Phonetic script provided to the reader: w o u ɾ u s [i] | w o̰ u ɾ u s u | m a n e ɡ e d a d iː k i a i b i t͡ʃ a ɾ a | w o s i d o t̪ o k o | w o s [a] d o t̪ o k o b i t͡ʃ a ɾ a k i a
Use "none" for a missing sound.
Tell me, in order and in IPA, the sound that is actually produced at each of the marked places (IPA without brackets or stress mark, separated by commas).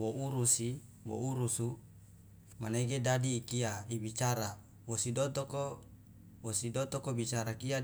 i, i